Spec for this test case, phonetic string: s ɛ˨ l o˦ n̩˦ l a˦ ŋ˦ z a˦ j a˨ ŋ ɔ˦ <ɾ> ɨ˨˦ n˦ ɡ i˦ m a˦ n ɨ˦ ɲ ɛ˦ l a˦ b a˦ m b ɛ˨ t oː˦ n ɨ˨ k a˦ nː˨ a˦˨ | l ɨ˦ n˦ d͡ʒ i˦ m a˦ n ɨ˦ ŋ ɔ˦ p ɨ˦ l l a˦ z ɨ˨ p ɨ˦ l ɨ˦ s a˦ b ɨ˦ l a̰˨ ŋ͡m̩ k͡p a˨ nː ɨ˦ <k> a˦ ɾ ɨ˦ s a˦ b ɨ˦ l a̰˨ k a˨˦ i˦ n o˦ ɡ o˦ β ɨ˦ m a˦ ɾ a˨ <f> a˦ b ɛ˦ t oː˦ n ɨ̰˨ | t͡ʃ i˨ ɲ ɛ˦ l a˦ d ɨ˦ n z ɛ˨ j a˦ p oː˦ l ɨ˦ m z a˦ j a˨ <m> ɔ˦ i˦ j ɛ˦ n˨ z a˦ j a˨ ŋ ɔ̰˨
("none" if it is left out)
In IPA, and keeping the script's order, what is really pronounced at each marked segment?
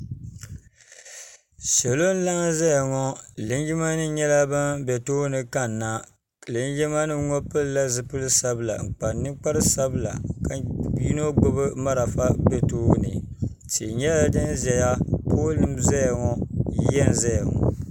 l, k͡p, f, ŋ

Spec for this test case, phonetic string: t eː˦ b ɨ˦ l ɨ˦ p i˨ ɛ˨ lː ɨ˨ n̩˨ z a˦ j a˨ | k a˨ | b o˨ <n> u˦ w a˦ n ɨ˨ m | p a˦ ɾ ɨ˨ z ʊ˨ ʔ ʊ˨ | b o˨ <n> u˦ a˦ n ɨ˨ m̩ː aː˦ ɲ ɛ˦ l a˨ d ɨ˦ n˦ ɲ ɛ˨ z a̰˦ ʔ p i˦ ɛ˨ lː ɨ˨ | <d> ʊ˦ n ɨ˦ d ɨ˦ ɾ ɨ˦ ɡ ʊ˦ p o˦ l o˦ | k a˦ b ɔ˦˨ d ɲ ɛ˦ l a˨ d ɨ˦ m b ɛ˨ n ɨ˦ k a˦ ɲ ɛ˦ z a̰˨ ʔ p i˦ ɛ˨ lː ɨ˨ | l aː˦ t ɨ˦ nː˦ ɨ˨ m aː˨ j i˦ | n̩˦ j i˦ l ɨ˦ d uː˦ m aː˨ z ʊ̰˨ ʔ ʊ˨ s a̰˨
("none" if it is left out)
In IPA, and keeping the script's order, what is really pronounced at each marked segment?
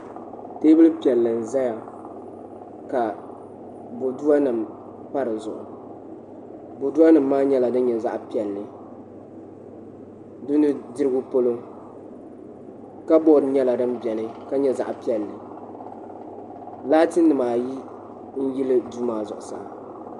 d, d, d

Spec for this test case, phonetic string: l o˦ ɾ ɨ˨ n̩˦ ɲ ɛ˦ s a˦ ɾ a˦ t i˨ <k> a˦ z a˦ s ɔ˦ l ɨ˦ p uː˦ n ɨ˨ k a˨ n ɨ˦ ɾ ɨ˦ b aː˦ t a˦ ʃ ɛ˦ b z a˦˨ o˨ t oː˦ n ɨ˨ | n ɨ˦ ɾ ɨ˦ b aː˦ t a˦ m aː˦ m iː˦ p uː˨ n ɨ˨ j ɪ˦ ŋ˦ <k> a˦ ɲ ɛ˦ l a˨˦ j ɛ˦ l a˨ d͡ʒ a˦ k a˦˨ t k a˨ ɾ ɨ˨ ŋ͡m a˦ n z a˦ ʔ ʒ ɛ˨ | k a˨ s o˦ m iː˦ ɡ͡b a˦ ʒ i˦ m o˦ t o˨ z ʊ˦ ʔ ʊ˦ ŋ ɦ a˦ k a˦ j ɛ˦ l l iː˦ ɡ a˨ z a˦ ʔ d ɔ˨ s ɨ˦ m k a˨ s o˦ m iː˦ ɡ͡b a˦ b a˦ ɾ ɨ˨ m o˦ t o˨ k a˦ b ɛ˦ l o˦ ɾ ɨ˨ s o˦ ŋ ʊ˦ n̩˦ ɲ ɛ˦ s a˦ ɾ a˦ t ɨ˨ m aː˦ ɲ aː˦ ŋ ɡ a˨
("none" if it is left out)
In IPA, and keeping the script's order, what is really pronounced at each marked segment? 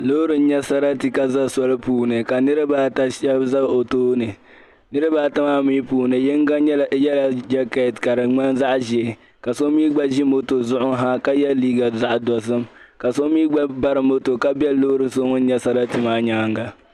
k, ɡ

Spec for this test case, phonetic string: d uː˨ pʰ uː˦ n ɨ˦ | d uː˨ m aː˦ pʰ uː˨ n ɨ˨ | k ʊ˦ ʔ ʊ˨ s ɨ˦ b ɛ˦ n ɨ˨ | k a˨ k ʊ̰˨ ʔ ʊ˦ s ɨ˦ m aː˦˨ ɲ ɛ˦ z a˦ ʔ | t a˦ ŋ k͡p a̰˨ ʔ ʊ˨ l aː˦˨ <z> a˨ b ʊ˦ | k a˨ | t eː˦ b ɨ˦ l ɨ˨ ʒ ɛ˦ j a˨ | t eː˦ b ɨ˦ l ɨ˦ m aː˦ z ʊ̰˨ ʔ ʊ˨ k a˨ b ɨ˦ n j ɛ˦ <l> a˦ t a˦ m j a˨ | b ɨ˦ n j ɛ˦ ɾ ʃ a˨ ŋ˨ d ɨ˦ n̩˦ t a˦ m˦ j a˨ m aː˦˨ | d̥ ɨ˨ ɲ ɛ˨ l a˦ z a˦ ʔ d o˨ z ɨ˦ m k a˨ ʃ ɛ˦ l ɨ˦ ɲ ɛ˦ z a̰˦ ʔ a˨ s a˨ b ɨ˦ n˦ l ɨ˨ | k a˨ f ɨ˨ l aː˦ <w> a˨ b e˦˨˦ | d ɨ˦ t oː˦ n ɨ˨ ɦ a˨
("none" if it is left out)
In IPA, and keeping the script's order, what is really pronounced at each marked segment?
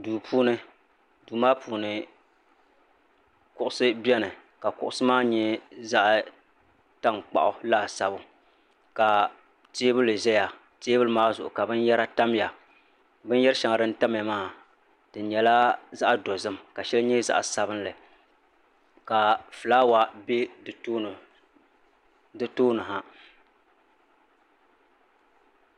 s, ɾ, w

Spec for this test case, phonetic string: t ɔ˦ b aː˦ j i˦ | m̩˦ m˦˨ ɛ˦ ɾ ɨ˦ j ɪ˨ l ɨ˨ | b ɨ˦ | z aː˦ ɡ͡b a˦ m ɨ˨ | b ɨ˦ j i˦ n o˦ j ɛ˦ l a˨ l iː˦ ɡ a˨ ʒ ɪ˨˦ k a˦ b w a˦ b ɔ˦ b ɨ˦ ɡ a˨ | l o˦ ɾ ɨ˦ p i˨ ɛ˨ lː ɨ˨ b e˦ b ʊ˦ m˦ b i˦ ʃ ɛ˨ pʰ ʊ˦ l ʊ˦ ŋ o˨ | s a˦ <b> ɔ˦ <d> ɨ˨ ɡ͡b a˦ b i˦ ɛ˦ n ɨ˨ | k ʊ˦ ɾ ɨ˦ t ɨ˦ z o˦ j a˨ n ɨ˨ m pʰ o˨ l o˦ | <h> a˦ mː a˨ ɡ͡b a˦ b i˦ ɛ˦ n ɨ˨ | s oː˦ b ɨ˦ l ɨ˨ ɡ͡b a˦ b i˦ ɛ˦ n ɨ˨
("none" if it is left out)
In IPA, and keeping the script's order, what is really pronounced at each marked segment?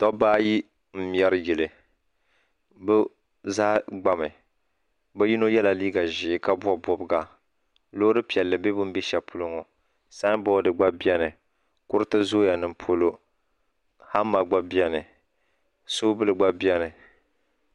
b, d, h

